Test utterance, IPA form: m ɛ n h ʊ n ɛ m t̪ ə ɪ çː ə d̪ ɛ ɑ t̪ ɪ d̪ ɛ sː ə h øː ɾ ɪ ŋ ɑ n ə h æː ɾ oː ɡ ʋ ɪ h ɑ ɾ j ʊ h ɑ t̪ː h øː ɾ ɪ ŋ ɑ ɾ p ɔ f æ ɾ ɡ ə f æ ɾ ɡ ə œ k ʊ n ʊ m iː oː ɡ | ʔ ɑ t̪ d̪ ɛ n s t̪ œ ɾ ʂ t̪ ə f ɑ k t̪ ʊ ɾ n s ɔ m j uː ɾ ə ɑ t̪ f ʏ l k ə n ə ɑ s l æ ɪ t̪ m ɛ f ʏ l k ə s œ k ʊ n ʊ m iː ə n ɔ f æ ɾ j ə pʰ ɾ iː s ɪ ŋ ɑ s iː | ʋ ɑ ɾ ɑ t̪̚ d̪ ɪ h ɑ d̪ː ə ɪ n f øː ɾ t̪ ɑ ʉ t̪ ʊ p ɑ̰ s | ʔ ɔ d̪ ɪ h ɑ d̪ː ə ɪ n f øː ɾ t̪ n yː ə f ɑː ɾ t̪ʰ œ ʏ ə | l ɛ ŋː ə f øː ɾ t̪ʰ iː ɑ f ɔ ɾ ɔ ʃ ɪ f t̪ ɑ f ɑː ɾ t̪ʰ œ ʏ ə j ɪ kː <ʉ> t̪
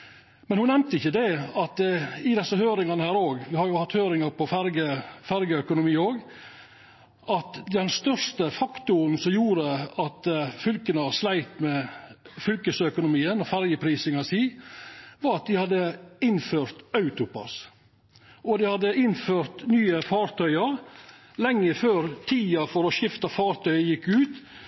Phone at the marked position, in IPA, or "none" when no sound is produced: ʉː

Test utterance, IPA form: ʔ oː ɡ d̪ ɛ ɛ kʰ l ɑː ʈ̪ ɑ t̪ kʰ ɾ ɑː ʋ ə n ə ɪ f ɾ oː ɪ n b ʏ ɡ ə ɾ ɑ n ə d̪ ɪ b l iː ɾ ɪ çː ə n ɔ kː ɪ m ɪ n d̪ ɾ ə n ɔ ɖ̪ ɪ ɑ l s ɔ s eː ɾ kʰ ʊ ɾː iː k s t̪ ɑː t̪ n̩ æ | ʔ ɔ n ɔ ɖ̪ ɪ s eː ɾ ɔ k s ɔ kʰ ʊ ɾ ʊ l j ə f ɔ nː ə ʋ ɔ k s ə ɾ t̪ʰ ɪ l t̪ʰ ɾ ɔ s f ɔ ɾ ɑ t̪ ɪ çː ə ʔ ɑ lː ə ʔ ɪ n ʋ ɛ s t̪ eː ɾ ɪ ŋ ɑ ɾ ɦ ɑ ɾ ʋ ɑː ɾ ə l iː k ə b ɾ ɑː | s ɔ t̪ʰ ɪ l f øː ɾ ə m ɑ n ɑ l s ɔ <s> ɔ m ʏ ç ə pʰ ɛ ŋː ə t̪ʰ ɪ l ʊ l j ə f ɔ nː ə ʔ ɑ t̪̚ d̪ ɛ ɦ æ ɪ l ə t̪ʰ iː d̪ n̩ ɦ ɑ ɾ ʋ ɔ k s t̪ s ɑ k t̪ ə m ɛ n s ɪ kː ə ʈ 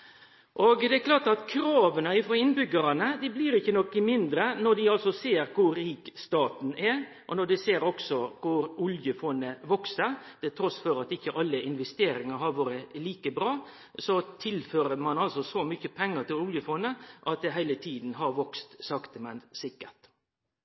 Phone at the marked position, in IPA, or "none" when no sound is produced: s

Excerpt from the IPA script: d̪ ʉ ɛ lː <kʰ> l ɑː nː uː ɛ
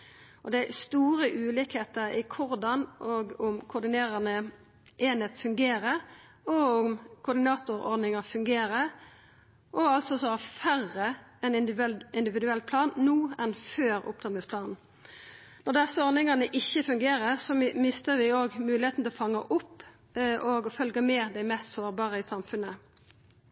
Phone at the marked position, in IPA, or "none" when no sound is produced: pʰ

